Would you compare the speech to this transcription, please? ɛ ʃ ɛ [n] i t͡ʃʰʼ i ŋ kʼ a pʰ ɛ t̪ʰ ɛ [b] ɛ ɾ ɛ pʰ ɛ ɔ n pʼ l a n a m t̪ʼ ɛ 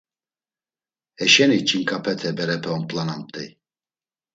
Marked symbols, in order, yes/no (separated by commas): yes, yes